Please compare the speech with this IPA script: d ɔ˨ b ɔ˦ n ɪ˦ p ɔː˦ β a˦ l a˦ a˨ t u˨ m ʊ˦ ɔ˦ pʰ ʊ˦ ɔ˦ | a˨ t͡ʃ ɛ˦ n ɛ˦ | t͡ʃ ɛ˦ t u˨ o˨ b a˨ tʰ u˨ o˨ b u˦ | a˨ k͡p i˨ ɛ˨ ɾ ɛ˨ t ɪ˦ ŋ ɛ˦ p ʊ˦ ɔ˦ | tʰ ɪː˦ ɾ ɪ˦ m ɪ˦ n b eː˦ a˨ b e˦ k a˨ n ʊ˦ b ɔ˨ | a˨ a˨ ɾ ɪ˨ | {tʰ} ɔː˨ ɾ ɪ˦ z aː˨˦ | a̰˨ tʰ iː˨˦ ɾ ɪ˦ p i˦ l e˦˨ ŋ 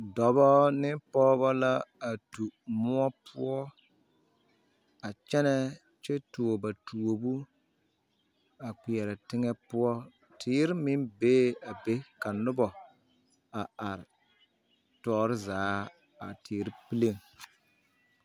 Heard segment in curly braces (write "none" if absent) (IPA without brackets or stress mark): t